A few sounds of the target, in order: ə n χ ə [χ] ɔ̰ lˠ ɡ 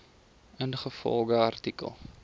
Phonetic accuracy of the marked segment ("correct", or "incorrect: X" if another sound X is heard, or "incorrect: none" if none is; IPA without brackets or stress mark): incorrect: f